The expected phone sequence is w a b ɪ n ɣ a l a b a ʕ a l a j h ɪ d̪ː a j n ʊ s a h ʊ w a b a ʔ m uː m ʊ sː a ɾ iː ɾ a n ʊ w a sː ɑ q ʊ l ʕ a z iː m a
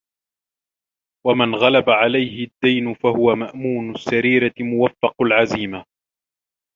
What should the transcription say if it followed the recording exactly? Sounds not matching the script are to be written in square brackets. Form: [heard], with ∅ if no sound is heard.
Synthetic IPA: w a [m] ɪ n ɣ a l a b a ʕ a l a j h ɪ d̪ː a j n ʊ [f] a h ʊ w a [m] a ʔ m uː [n] ʊ sː a ɾ iː ɾ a [m] ʊ w a [fː] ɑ q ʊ l ʕ a z iː m a